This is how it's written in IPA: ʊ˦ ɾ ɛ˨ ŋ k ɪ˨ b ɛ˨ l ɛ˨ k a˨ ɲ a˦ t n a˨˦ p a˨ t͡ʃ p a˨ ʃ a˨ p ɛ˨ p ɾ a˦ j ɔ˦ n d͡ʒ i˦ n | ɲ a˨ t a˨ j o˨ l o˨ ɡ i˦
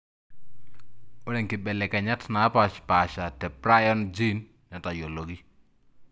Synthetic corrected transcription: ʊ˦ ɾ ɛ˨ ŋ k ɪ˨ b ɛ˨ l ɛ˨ k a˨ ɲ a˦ t n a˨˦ p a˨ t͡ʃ p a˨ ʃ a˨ t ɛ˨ p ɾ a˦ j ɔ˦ n d͡ʒ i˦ n | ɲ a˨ t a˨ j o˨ l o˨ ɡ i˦